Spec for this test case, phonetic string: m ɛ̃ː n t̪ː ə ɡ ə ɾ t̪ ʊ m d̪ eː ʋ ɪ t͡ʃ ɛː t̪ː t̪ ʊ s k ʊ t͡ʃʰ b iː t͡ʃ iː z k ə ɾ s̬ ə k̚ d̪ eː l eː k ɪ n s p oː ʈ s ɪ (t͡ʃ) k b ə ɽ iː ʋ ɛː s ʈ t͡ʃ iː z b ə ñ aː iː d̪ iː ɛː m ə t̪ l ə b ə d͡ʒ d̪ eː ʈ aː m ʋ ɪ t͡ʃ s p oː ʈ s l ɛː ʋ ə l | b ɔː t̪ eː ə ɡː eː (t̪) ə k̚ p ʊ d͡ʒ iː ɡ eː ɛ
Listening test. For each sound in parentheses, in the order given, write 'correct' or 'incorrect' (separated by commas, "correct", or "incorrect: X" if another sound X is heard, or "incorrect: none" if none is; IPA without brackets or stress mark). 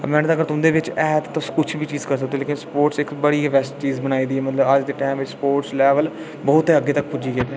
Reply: incorrect: none, correct